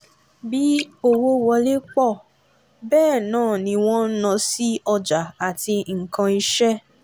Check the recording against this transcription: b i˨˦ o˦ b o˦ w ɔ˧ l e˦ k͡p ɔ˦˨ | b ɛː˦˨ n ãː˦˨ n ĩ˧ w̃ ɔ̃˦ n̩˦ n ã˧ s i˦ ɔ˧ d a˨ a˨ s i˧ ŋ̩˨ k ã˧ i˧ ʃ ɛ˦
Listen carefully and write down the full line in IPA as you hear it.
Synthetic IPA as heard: b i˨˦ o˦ w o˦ w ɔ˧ l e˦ k͡p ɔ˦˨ | b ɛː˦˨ n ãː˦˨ n ĩ˧ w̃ ɔ̃˦ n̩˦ n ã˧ s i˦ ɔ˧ d͡ʒ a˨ a˨ t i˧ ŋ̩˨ k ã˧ i˧ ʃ ɛ˦